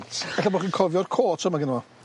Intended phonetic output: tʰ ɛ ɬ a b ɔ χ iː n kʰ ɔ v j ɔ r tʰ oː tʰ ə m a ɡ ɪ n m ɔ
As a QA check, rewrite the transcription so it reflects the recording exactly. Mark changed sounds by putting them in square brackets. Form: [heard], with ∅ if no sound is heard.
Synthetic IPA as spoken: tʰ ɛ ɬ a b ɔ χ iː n kʰ ɔ v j ɔ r [kʰ] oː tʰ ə m a ɡ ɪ n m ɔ